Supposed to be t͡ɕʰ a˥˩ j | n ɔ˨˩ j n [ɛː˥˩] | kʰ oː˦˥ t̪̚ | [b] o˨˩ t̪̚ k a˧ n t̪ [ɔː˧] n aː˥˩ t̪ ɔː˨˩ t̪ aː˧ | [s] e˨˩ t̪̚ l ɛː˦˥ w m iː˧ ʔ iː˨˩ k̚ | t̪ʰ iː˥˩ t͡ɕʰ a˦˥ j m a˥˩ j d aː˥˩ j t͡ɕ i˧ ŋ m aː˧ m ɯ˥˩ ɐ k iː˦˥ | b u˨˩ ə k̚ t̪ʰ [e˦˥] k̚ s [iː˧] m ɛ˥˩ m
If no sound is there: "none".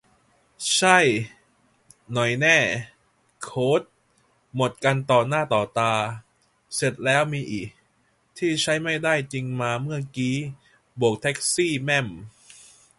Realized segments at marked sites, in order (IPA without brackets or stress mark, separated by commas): ɛː˥˩, m, ɔː˨˩, s, ɛ˦˥, iː˥˩